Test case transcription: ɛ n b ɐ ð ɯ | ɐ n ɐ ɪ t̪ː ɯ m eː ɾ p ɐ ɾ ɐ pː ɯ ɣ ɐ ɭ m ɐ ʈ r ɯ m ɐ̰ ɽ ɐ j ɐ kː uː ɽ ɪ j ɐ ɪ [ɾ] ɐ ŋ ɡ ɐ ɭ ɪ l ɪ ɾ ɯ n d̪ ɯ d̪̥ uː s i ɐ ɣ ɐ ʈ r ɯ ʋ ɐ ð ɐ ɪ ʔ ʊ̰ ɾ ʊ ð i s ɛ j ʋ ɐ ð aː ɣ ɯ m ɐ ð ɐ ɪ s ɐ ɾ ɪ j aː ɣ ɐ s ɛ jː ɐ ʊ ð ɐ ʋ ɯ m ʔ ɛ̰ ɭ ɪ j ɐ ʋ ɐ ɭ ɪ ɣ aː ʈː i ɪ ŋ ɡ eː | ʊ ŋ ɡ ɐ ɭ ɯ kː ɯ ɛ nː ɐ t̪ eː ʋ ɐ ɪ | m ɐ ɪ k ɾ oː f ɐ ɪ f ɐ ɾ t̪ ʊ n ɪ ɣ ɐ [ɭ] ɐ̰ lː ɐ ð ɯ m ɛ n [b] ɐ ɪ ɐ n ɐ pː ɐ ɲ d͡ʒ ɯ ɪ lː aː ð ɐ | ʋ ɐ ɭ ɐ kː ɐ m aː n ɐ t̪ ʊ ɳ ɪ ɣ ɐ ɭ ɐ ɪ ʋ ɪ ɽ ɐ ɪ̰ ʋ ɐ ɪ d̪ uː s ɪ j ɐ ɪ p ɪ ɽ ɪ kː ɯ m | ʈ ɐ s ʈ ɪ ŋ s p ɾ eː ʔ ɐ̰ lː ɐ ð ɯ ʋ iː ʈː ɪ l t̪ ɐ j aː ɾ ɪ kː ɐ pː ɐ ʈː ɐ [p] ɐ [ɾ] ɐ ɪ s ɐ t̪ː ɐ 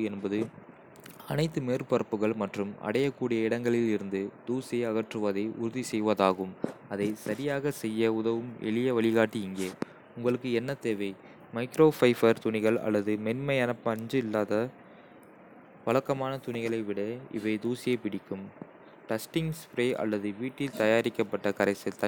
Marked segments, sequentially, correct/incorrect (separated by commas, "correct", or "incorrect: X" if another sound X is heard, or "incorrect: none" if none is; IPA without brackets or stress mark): incorrect: ɽ, correct, incorrect: m, incorrect: k, correct